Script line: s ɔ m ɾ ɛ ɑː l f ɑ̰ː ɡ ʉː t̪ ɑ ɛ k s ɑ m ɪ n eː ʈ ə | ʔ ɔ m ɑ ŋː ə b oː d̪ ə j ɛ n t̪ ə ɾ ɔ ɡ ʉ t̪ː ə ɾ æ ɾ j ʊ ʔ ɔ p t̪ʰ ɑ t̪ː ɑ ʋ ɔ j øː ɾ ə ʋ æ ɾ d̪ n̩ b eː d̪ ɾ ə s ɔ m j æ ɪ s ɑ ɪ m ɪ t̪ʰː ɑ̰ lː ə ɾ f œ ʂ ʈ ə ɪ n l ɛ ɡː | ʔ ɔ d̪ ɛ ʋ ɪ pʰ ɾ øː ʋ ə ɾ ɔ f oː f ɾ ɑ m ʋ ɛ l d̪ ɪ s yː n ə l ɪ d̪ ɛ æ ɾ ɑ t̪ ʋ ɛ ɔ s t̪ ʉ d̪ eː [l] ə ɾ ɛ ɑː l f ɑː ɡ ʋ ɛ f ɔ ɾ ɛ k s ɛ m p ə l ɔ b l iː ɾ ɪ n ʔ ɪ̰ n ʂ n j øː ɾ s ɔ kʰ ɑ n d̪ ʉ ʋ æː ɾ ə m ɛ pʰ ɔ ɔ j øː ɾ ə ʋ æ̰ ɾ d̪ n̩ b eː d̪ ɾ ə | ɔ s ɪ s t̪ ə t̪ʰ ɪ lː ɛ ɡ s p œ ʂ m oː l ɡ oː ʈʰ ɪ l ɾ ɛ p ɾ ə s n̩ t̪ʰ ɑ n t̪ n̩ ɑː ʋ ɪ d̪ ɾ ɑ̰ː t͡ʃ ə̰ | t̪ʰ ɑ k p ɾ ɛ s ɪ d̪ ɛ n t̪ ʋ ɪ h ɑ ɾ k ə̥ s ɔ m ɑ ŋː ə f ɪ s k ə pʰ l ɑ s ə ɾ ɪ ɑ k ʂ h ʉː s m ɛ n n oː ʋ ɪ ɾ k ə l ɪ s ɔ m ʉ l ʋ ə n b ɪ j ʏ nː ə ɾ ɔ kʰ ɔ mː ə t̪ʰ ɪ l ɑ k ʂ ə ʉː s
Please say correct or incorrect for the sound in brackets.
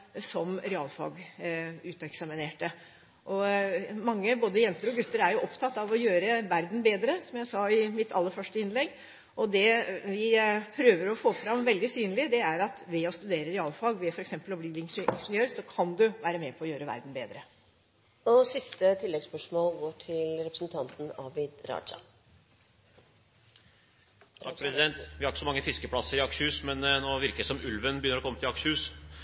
incorrect